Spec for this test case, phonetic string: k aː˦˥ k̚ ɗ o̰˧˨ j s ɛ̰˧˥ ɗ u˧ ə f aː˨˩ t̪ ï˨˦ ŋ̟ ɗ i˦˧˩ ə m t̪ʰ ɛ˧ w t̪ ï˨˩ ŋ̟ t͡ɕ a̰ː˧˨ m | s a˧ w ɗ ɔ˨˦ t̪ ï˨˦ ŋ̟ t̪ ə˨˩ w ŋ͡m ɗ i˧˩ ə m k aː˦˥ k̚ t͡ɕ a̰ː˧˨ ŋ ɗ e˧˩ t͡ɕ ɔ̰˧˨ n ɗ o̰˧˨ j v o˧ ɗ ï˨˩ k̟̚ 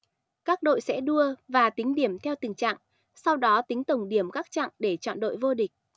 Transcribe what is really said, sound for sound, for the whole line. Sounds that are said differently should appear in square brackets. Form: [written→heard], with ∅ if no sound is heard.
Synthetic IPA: k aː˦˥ k̚ ɗ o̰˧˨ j s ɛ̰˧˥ ɗ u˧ ə [f→v] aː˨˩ t̪ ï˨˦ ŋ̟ ɗ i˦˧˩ ə m t̪ʰ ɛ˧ w t̪ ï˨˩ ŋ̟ t͡ɕ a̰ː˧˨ [m→ŋ] | s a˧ w ɗ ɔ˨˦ t̪ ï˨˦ ŋ̟ t̪ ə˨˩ w ŋ͡m ɗ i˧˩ ə m k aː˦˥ k̚ t͡ɕ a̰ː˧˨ ŋ ɗ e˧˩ t͡ɕ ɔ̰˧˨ n ɗ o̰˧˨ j v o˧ ɗ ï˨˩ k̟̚

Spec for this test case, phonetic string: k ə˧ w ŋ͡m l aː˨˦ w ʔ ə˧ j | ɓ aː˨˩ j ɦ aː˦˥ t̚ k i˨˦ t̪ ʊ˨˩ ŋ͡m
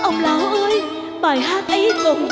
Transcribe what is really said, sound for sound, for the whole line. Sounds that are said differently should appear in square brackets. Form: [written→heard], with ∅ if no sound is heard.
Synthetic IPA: [k→ʔ] ə˧ w ŋ͡m l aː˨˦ w ʔ [ə˧→əː˧] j | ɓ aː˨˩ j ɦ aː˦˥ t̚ [k→ʔ] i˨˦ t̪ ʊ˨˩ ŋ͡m

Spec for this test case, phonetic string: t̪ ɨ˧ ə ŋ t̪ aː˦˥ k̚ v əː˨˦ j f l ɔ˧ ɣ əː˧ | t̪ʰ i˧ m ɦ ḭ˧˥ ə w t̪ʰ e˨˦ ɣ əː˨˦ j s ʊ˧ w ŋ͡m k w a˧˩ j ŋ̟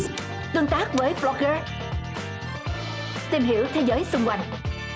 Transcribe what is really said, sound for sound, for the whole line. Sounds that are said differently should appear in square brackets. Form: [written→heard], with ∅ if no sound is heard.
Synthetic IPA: t̪ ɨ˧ ə ŋ t̪ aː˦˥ k̚ v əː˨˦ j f l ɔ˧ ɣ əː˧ | [t̪ʰ→t̪] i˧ m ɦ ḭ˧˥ ə w t̪ʰ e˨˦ [ɣ→z] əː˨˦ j s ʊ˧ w ŋ͡m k w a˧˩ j ŋ̟

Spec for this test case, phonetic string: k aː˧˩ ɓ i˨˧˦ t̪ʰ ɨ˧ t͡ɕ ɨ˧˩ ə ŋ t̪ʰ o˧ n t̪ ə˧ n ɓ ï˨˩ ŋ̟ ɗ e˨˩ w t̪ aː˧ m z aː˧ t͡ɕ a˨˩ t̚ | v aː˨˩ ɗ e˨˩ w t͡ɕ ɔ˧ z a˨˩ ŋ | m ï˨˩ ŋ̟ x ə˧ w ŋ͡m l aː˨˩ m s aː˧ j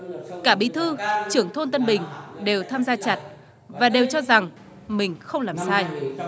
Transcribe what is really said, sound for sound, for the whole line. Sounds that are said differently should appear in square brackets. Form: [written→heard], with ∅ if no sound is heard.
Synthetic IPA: k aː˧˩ ɓ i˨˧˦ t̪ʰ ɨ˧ t͡ɕ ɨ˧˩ ə ŋ t̪ʰ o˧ n t̪ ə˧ n ɓ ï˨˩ ŋ̟ ɗ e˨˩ w [t̪→t̪ʰ] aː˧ m z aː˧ t͡ɕ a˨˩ t̚ | v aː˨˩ ɗ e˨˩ w t͡ɕ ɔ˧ z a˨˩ ŋ | m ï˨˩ ŋ̟ x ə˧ w ŋ͡m l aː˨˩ m s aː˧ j

